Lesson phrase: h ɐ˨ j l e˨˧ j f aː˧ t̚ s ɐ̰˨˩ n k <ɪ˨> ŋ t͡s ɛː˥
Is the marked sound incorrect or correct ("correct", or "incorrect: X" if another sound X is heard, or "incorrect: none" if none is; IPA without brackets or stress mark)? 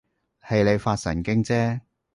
incorrect: ɪ˥